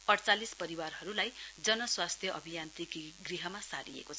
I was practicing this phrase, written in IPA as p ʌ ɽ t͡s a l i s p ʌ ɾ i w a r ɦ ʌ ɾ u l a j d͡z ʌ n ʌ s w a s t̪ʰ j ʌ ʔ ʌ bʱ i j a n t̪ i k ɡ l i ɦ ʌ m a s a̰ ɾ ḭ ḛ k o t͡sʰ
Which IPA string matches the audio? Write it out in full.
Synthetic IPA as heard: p ʌ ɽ t͡s a l i s p ʌ ɾ i w a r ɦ ʌ ɾ u l a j d͡z ʌ n ʌ s w a s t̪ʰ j ʌ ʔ ʌ bʱ i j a n t̪ i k ɡ r i ɦ ʌ m a s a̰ ɾ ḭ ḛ k o t͡sʰ